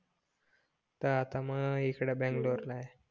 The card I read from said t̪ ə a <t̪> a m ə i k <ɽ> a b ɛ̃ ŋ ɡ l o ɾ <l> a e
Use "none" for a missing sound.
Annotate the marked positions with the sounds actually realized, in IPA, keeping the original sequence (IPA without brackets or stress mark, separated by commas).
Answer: t̪, ɽ, l